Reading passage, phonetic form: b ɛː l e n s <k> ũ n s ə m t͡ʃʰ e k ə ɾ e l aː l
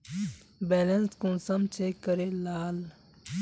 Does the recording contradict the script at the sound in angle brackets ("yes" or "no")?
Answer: no